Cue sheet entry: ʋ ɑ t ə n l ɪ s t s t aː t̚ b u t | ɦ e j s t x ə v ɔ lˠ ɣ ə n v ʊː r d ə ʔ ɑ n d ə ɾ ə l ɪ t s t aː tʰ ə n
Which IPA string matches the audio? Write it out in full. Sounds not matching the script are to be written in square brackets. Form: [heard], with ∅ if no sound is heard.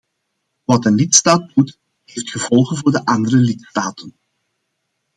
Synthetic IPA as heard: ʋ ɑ t ə n l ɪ [∅] t s t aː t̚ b u t | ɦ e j [f] t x ə v ɔ lˠ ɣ ə n v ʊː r d ə ʔ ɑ n d ə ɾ ə l ɪ t s t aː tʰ ə n